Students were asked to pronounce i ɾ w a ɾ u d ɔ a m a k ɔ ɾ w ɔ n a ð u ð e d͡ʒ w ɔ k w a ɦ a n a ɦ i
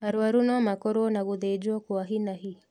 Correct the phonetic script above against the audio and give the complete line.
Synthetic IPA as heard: a ɾ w a ɾ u n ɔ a m a k ɔ ɾ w ɔ n a ɣ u ð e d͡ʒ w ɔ k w a ɦ i n a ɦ i